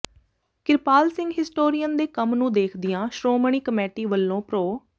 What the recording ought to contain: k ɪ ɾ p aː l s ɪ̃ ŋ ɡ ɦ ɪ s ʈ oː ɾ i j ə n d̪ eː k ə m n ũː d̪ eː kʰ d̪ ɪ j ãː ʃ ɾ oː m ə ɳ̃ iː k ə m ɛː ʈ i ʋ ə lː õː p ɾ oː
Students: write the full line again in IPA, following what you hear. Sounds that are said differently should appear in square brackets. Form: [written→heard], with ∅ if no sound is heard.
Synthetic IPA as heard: k ɪ ɾ p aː l s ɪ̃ ŋ ɡ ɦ ɪ s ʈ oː ɾ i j ə n d̪ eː k ə m n ũː d̪ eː kʰ d̪ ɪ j ãː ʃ ɾ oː m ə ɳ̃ iː k ə m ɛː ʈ [i→iː] ʋ ə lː õː p ɾ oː